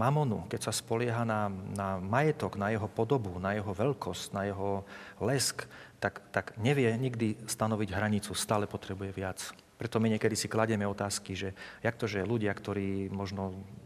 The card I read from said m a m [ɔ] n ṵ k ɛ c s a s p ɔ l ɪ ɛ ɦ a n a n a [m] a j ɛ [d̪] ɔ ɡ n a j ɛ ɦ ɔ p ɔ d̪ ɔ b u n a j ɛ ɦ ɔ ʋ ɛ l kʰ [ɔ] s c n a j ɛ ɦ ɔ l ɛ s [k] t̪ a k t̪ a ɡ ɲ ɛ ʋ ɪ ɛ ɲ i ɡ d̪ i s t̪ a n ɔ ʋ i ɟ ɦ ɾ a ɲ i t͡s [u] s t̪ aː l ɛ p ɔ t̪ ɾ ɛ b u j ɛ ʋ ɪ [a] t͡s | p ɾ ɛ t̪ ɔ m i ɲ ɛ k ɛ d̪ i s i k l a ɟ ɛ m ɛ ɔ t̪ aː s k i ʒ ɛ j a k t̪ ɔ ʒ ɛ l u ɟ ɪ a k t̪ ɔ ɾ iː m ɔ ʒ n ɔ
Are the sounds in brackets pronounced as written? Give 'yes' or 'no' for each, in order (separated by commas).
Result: yes, yes, no, yes, yes, yes, yes